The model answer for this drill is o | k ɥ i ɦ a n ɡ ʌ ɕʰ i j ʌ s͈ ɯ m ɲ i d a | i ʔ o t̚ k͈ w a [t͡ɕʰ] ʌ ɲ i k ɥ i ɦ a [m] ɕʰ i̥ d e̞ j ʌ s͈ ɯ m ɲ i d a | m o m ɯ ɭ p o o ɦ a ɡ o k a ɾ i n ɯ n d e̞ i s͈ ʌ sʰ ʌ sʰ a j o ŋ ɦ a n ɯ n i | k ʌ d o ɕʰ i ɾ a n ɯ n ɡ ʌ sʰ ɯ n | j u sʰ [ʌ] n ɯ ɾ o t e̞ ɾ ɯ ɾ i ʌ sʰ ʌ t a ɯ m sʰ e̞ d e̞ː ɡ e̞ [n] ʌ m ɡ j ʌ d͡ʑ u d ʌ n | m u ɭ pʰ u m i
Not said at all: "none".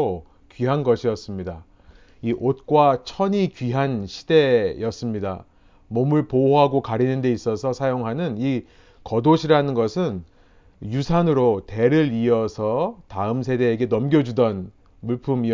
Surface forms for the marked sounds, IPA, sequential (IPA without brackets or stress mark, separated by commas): t͡ɕʰ, n, a, n